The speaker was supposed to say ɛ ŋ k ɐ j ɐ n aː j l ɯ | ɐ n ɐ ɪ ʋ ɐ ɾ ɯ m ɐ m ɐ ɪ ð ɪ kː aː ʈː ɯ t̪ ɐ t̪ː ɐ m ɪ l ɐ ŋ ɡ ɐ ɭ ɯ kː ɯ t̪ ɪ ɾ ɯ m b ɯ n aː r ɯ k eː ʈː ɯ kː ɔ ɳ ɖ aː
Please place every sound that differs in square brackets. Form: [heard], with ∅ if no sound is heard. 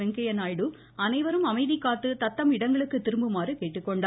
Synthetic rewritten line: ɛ ŋ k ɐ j ɐ n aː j [ɽ] ɯ | ɐ n ɐ ɪ ʋ ɐ ɾ ɯ m ɐ m ɐ ɪ ð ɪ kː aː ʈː ɯ t̪ ɐ t̪ː ɐ m ɪ [ɽ] ɐ ŋ ɡ ɐ ɭ ɯ kː ɯ t̪ ɪ ɾ ɯ m b ɯ [m] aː r ɯ k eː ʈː ɯ kː ɔ ɳ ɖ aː